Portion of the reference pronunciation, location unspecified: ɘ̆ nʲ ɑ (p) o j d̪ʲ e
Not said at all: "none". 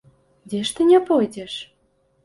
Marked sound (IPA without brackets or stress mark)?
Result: p